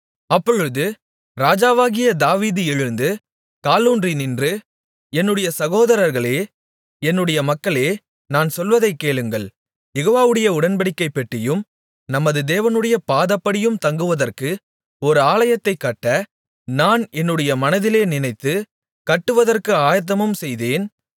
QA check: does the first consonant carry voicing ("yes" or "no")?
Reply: no